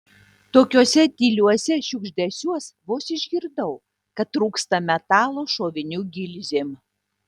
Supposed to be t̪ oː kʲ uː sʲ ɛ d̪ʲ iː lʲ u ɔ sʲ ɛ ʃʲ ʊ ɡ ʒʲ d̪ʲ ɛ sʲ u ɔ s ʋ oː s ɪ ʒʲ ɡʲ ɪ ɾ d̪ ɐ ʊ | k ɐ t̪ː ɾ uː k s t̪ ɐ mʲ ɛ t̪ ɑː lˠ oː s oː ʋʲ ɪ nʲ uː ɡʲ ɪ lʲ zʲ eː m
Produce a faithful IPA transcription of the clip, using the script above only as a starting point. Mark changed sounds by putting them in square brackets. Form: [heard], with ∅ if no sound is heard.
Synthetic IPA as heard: t̪ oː kʲ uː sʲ ɛ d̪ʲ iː lʲ u ɔ sʲ ɛ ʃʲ ʊ ɡ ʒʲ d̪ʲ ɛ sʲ u ɔ s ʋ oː s ɪ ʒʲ ɡʲ ɪ ɾ d̪ ɐ ʊ | k ɐ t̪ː ɾ uː k s t̪ ɐ mʲ ɛ t̪ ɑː lˠ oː [ʃ] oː ʋʲ ɪ nʲ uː ɡʲ ɪ lʲ zʲ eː m